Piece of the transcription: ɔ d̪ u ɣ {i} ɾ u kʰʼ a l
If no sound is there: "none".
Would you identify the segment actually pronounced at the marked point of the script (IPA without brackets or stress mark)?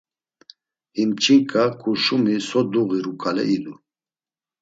i